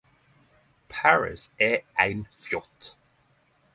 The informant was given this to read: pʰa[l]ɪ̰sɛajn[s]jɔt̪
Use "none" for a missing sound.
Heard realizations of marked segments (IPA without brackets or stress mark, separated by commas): ɹ, f